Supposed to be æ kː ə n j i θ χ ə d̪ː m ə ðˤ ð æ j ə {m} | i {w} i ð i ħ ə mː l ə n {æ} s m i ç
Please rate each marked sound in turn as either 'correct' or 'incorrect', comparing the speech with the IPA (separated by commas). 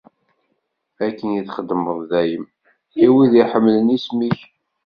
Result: correct, correct, incorrect